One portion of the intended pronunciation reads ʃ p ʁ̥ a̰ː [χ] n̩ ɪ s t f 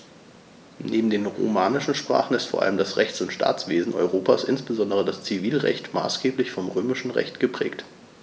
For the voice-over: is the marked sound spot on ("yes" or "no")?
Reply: yes